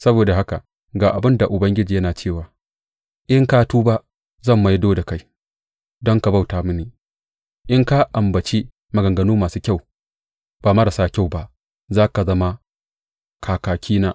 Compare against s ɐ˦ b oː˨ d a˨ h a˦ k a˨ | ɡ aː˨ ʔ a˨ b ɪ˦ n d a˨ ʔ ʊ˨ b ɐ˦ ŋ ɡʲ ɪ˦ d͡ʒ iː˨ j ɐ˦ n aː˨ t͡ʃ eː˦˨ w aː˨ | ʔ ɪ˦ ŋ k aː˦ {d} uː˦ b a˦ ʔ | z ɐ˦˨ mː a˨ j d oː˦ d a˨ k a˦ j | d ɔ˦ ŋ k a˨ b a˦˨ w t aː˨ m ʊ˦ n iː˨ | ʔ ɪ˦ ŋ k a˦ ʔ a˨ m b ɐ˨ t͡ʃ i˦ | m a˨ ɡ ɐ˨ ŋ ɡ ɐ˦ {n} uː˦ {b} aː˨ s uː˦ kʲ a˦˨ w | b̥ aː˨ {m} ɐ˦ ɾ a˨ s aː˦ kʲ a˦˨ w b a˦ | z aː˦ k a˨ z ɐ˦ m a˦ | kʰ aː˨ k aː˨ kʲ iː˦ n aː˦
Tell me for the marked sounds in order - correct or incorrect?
incorrect: t, correct, incorrect: m, correct

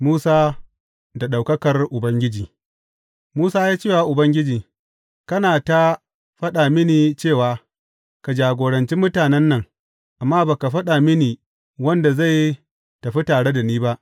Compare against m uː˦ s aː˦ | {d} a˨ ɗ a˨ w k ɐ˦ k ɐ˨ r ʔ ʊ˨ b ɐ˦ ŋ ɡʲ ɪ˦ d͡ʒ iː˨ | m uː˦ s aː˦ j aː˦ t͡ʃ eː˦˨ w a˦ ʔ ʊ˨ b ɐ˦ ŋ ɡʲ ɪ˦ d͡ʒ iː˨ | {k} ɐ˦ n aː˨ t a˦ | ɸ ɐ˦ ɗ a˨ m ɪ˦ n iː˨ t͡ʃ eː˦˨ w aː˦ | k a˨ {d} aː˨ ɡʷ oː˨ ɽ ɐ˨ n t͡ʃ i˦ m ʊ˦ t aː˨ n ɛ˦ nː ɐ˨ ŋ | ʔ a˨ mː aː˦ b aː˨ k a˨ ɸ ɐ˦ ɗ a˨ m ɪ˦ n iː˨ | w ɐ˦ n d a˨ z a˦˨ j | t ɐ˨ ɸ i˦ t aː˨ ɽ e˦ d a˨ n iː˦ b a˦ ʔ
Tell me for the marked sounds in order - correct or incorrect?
correct, correct, incorrect: d͡ʒ

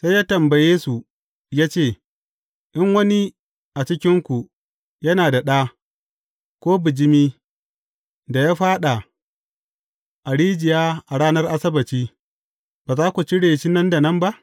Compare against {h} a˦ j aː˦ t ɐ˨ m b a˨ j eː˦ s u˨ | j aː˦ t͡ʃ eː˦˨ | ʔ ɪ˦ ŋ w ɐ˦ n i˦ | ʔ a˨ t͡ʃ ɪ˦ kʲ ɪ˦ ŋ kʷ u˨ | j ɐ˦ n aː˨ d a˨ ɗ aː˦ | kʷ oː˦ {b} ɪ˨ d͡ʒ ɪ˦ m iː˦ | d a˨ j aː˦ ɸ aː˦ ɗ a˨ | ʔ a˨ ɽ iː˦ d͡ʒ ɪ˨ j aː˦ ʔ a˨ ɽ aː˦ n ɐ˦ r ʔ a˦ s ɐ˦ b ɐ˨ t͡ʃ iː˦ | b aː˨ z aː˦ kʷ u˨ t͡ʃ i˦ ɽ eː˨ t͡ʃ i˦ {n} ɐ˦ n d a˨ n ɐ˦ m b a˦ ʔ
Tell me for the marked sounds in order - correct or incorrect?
incorrect: s, correct, correct

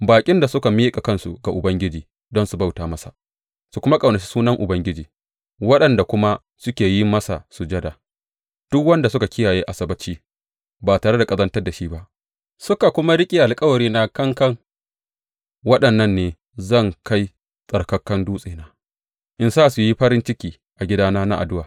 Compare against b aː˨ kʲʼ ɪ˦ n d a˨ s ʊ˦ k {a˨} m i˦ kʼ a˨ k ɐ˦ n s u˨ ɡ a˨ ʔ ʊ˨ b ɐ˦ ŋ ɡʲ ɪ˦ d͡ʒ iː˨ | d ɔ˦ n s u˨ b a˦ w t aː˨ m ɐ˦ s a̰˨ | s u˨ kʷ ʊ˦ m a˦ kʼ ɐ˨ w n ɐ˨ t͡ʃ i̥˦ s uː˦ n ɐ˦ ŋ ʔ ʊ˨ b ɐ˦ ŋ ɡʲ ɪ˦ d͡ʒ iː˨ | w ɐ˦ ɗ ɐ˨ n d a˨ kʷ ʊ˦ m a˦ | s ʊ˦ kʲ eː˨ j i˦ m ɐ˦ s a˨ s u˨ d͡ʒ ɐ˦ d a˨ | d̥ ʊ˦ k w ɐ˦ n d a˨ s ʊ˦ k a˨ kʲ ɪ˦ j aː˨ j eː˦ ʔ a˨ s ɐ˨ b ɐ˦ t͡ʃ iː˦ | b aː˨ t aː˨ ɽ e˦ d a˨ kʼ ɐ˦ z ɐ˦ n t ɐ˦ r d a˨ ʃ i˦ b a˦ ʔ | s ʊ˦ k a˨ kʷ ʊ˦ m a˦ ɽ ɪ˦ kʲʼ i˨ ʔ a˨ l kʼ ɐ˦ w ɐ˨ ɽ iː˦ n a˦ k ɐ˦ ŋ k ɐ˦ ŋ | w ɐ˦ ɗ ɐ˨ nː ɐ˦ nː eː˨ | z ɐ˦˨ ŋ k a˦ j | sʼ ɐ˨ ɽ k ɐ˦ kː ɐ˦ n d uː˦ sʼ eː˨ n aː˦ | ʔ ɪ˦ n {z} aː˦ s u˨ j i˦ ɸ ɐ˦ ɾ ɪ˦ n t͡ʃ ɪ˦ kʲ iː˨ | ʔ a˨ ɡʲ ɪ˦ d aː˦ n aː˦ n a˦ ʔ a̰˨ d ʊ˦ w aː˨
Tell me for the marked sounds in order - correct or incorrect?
correct, incorrect: s

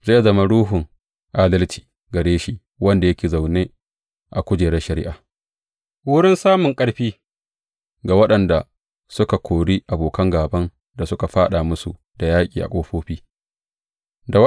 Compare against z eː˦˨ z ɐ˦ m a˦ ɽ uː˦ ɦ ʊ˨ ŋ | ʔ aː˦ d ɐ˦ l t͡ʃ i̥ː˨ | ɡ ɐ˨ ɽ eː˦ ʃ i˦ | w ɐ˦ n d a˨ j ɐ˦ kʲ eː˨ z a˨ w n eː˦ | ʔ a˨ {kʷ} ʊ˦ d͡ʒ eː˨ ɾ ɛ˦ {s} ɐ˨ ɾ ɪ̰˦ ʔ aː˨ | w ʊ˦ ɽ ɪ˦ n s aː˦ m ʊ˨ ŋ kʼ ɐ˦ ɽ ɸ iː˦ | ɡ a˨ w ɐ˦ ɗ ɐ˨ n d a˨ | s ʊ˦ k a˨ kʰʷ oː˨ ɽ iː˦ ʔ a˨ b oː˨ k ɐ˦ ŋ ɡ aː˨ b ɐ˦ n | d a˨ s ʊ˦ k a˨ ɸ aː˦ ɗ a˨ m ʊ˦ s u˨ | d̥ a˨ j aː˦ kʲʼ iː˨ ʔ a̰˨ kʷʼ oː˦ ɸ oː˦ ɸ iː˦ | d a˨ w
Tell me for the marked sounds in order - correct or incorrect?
correct, incorrect: ʃ

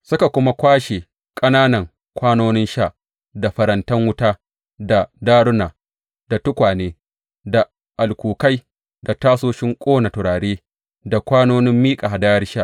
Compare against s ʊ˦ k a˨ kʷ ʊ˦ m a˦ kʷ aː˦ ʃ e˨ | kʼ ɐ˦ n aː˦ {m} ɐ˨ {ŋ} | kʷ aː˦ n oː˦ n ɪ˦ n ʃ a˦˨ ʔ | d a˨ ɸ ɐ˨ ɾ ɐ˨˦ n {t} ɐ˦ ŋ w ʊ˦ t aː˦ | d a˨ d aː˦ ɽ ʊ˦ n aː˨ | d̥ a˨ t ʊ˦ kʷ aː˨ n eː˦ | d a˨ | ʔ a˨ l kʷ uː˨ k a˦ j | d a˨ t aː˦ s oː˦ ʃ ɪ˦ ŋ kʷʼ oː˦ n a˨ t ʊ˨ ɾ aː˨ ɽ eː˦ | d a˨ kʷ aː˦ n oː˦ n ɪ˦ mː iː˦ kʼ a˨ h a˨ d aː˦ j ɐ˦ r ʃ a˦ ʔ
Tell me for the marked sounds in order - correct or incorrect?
incorrect: n, correct, correct

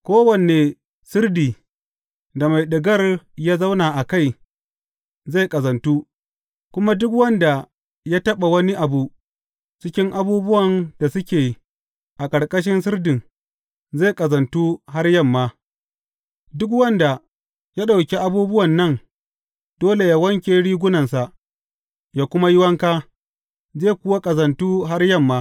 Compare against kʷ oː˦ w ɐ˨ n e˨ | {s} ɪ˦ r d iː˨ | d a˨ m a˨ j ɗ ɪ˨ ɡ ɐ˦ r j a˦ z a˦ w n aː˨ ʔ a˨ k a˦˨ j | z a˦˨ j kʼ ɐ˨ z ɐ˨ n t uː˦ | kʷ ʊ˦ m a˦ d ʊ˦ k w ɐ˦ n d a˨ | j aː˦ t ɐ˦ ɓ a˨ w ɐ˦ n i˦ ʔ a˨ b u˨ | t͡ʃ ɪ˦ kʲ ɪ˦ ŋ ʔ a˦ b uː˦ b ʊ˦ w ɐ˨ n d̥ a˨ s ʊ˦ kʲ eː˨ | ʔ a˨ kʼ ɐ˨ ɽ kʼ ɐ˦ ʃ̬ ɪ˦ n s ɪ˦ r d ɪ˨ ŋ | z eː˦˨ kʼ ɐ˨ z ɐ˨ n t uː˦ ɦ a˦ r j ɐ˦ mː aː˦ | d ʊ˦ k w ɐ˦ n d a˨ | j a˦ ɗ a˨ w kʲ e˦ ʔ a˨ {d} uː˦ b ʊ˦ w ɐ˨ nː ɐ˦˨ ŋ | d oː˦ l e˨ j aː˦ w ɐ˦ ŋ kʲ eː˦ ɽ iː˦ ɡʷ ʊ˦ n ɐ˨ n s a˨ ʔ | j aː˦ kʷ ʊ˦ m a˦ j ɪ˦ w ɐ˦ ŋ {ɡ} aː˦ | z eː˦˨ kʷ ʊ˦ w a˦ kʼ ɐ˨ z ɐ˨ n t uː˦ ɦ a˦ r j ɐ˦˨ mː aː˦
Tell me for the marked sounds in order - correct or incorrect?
correct, incorrect: b, incorrect: k

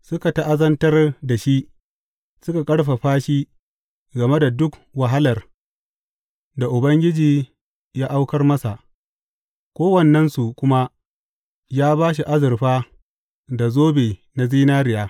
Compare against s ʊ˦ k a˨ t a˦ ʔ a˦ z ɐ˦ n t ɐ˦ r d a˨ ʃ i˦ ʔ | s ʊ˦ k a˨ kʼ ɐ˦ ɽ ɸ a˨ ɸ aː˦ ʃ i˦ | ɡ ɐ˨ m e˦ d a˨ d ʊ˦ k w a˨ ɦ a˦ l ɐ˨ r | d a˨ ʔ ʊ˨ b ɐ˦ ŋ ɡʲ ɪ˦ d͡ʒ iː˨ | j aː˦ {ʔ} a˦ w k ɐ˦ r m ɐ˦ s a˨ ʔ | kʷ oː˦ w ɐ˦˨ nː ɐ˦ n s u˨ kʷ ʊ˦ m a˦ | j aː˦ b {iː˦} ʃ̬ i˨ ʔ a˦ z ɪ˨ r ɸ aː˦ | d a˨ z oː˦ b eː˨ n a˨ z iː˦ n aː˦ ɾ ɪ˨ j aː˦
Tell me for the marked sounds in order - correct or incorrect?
correct, incorrect: aː˦

